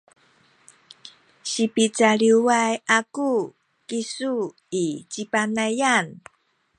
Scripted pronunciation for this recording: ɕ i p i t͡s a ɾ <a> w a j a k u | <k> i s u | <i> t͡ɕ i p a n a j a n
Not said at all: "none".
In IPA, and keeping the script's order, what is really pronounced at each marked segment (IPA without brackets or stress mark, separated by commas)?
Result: i, k, i